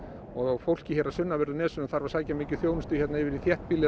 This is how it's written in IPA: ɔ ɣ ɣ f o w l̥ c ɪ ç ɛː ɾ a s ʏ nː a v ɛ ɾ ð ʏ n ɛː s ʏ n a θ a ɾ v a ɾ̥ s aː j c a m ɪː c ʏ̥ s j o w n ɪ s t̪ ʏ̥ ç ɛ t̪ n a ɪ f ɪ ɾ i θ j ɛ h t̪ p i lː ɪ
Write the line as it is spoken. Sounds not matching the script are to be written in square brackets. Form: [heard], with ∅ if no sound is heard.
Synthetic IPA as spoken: ɔ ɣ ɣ f o w l̥ c ɪ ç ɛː ɾ a s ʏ nː a v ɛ ɾ ð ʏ n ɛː s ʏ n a θ a ɾ v a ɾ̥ s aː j c a m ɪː c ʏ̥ [θ] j o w n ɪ s t̪ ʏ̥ ç ɛ t̪ n a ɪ [v] ɪ ɾ i θ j ɛ h t̪ p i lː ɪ